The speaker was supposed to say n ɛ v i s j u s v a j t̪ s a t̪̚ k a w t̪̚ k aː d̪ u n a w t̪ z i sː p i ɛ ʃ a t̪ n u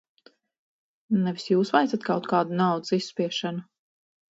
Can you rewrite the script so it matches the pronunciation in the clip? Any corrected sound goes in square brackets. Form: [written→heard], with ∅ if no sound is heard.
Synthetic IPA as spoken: n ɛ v i s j [u→uː] s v a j t̪ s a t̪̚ k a w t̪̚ k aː d̪ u n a w [t̪→d̪] z i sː p i ɛ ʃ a [t̪→∅] n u